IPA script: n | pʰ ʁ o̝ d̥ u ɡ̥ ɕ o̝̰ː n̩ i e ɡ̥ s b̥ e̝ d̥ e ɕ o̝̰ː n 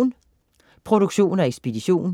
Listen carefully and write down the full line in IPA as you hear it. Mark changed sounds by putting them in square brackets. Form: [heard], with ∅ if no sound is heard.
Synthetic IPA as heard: n | pʰ ʁ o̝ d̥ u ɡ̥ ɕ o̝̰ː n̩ [æ] e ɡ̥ s b̥ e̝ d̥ [i] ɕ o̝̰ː n